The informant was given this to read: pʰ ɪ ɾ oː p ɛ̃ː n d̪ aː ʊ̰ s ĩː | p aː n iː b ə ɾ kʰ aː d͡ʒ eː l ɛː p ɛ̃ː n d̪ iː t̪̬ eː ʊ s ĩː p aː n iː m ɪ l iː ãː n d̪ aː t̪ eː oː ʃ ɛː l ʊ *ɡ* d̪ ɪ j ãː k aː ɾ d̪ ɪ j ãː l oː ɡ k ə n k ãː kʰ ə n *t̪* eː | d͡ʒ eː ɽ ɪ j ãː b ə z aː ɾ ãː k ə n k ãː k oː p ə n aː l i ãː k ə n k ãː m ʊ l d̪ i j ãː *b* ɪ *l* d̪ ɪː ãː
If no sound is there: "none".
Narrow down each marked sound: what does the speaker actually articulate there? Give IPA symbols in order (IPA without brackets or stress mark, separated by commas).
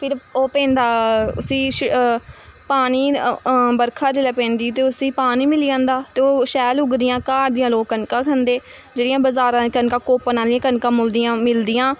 ɡ, d̪, m, l